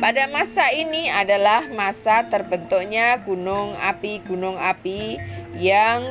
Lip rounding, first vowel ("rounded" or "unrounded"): unrounded